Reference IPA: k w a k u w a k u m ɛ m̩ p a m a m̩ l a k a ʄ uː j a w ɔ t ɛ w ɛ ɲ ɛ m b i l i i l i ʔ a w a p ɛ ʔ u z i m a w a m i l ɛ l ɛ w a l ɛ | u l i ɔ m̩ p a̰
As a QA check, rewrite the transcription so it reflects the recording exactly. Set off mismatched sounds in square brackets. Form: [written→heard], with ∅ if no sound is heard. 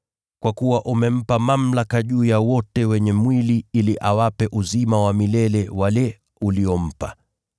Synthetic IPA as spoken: k w a k u w a [k→ʔ] u m ɛ m̩ p a m a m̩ l a k a ʄ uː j a w ɔ t ɛ w ɛ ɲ ɛ m [b→w] i l i i l i ʔ a w a p ɛ ʔ u z i m a w a m i l ɛ l ɛ w a l ɛ | u l i ɔ m̩ p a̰

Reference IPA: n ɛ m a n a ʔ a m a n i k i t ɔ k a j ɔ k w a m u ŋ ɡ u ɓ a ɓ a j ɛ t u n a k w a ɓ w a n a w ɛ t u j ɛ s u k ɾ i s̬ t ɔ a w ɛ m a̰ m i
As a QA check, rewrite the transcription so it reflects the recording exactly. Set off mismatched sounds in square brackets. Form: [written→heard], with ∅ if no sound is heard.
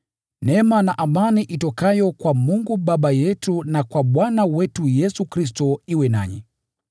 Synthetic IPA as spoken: n ɛ m a n a ʔ a m a n i [k→ʔ] i t ɔ k a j ɔ k w a m u ŋ ɡ u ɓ a ɓ a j ɛ t u n a k w a ɓ w a n a w ɛ t u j ɛ s u k ɾ i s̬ t ɔ [a→i] w ɛ [m→n] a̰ [m→ɲ] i

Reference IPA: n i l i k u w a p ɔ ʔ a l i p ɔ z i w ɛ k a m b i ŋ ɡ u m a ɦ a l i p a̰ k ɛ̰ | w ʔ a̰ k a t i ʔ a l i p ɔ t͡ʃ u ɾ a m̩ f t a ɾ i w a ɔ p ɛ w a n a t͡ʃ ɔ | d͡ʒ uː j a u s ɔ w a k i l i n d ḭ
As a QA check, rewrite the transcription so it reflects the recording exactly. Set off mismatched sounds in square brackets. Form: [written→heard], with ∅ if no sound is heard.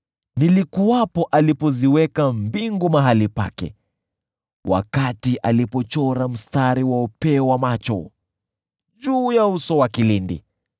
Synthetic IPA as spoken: n i l i k u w a p ɔ ʔ a l i p ɔ z i w ɛ k a m b i ŋ ɡ u m a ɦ a l i p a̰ k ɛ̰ | w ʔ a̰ k a t i ʔ a l i p ɔ t͡ʃ [u→ɔ] ɾ a m̩ [f→s] t a ɾ i w a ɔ p ɛ w a [n→m] a t͡ʃ ɔ | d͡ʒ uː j a u s ɔ w a k i l i n d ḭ

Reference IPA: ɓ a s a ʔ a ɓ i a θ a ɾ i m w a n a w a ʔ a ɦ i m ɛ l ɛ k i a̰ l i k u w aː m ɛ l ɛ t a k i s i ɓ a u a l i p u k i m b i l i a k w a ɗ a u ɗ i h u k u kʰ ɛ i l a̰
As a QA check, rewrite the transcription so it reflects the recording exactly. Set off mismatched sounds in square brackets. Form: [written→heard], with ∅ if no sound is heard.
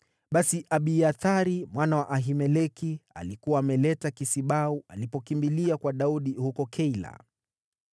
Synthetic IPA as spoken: ɓ a s [a→i] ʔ a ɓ i a θ a ɾ i m w a n a w a ʔ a ɦ i m ɛ l ɛ k i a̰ l i k u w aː m ɛ l ɛ t a k i s i ɓ a u a l i p [u→ɔ] k i m b i l i a k w a ɗ a u ɗ i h u k [u→ɔ] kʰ ɛ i l a̰

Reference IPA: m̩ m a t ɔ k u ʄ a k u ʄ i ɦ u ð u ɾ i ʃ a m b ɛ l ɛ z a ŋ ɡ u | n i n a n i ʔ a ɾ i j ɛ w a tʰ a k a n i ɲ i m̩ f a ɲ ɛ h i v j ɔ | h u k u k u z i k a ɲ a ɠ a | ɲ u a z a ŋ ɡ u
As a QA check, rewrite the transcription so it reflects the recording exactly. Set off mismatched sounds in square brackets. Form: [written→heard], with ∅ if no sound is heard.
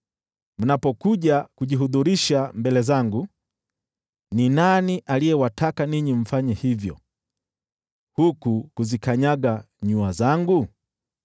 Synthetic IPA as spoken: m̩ [m→n] a [t→p] ɔ k u ʄ a k u ʄ i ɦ u ð u ɾ i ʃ a m b ɛ l ɛ z a ŋ ɡ u | n i n a n i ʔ a [ɾ→l] i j ɛ w a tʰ a k a n i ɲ i m̩ f a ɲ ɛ h i v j ɔ | h u k u k u z i k a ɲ a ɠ a | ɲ u a z a ŋ ɡ u

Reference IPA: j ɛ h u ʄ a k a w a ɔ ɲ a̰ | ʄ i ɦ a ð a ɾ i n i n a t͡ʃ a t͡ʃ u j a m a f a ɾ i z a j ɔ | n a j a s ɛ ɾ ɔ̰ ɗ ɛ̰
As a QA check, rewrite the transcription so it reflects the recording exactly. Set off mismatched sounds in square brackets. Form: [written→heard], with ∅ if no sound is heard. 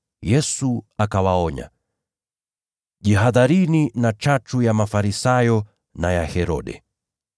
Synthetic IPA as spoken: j ɛ [h→s] u [ʄ→∅] a k a w a ɔ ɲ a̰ | ʄ i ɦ a ð a ɾ i n i n a t͡ʃ a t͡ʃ u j a m a f a ɾ i [z→s] a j ɔ | n a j a [s→h] ɛ ɾ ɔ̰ ɗ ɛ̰

